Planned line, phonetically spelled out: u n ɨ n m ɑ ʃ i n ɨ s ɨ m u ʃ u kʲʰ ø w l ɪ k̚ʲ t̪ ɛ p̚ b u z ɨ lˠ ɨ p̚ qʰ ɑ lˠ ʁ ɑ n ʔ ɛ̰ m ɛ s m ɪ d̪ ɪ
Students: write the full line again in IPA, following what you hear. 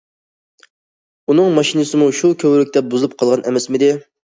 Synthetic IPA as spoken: u n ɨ ŋ m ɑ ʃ i n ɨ s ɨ m u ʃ u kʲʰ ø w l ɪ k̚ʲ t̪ ɛ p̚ b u z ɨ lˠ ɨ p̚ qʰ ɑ lˠ ʁ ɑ n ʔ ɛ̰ m ɛ s m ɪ d̪ ɪ